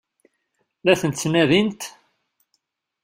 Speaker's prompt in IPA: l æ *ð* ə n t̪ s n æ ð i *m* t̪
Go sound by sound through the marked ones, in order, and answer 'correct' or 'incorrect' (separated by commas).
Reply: incorrect, incorrect